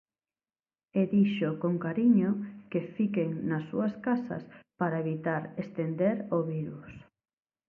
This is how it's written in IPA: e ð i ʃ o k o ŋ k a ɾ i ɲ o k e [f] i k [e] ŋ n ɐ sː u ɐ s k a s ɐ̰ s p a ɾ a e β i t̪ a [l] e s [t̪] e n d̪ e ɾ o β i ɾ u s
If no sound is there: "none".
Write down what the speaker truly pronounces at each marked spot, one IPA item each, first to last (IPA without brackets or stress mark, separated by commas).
f, e, ɾ, t̪